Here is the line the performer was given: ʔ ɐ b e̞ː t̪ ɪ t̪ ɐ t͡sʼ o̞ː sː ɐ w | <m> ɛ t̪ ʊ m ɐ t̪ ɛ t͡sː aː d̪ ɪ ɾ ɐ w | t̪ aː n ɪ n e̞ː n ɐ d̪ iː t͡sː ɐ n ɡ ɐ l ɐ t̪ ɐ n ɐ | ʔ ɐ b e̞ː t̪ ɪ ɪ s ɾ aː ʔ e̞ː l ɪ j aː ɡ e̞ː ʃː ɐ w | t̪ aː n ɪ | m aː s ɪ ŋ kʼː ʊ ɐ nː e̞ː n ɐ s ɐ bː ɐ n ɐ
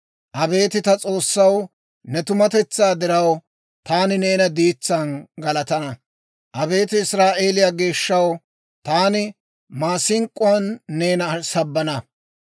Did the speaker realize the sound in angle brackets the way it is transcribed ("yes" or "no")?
no